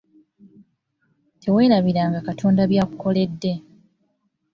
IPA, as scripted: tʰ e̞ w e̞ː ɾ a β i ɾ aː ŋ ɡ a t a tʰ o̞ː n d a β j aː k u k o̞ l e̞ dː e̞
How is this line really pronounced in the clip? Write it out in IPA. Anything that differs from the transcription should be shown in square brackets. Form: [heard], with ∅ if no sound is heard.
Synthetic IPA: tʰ e̞ w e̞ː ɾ a β i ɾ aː ŋ ɡ a [k] a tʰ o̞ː n d a β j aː k u k o̞ l e̞ dː e̞